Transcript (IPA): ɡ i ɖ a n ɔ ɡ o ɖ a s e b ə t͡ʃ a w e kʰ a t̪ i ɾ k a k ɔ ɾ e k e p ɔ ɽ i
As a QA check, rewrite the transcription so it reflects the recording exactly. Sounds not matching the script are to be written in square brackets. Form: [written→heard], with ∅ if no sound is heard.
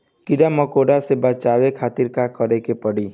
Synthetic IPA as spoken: [ɡ→k] i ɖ a [n→m] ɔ [ɡ→k] o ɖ a s e b [ə→a] t͡ʃ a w e kʰ a t̪ i ɾ k a k ɔ ɾ e k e p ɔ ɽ i